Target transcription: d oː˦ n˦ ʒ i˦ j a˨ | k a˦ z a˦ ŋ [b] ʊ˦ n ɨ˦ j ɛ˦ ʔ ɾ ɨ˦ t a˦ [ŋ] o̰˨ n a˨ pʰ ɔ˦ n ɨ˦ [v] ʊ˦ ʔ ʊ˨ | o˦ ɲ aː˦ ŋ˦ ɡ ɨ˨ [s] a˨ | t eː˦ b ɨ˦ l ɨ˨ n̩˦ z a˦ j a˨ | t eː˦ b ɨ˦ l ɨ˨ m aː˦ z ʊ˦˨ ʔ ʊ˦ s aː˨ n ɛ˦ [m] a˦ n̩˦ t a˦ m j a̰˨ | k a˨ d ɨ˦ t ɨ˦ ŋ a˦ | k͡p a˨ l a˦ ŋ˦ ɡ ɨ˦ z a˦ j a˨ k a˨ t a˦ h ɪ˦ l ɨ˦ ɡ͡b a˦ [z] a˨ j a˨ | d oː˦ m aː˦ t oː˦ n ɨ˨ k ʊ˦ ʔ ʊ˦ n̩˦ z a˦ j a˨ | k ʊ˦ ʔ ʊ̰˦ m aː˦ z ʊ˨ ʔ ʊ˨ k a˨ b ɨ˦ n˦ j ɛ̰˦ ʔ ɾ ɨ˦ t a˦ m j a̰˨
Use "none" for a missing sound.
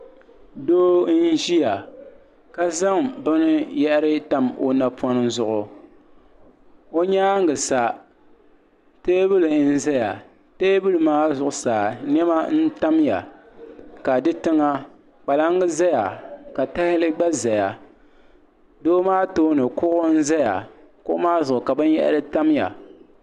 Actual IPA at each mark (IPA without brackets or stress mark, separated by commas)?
b, m, z, s, m, z